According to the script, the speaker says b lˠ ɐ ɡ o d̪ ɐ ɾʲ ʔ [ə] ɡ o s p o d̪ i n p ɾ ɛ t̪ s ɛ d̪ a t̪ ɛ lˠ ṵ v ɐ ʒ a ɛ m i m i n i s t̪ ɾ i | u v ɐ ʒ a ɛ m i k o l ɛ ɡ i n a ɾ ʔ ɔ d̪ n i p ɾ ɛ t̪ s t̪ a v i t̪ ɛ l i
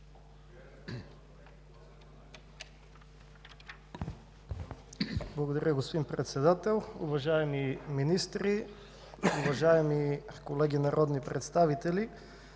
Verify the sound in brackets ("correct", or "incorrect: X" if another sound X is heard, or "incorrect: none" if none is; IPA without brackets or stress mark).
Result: correct